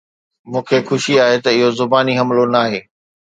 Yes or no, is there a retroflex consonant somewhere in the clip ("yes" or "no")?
no